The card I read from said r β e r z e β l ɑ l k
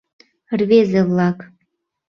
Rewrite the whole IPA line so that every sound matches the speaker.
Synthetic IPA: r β e z e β l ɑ k